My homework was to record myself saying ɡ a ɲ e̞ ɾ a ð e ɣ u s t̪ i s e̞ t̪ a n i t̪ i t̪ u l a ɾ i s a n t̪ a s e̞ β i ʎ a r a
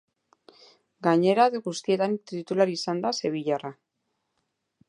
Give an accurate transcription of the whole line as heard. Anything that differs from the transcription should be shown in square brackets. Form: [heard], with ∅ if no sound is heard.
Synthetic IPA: ɡ a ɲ e̞ ɾ a ð e ɣ u s t̪ i [∅] e̞ t̪ a n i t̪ i t̪ u l a ɾ i s a n [d̪] a s e̞ β i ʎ a r a